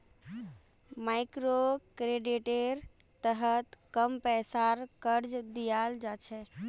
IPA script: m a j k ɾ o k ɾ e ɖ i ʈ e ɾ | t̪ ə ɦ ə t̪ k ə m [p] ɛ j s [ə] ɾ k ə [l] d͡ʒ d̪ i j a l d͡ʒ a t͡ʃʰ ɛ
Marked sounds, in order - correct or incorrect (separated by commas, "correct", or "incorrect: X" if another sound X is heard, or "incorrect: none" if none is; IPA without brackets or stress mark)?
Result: correct, incorrect: a, incorrect: ɾ